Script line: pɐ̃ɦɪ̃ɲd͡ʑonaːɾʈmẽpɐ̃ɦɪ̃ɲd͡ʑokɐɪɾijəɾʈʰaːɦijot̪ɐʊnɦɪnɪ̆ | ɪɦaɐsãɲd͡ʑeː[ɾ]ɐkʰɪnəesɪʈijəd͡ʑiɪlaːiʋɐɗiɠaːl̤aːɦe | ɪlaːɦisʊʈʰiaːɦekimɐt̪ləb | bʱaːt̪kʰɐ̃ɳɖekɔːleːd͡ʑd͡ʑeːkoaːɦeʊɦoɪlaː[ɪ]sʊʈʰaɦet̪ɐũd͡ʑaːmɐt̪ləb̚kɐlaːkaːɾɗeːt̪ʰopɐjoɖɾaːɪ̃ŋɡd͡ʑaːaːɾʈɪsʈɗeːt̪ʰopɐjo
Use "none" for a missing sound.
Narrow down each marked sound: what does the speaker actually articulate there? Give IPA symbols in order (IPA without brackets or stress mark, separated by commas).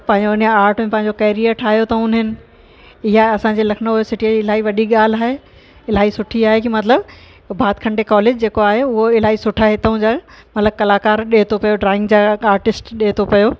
l, i